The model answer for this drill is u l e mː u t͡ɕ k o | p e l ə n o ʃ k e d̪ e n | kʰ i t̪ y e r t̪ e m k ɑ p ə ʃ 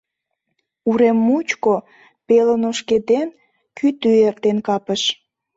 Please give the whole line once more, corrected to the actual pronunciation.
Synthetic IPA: u ɾ e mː u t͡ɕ k o | p e l ə n o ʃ k e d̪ e n | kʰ y t̪ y e r t̪ e n k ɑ p ə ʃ